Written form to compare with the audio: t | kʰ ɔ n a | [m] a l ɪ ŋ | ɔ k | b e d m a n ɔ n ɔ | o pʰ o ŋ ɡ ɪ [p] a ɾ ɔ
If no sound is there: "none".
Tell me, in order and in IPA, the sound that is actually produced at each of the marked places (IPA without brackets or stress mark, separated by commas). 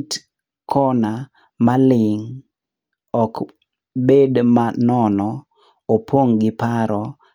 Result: m, p